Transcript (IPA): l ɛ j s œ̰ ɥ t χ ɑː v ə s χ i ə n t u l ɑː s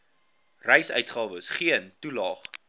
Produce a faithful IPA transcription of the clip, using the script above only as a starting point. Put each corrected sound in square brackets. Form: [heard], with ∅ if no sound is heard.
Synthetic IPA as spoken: [r] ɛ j s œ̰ ɥ t χ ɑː v ə s χ i ə n t u l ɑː [χ]